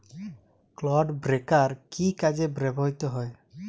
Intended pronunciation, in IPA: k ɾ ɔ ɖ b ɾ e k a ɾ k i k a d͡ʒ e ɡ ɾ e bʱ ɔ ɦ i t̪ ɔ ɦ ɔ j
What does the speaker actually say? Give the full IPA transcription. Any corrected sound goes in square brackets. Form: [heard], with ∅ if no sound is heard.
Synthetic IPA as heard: k [l] ɔ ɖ b ɾ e k a ɾ k i k a d͡ʒ e [b] ɾ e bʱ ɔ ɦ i t̪ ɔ ɦ ɔ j